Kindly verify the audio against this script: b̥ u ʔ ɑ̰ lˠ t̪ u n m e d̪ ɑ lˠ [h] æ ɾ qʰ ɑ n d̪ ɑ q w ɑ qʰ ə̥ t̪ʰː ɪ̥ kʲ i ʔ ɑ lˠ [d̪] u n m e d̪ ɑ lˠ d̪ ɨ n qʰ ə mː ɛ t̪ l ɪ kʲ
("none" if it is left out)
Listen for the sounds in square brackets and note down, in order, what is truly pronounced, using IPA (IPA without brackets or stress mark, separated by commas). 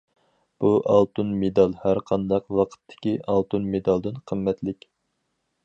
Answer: h, t̪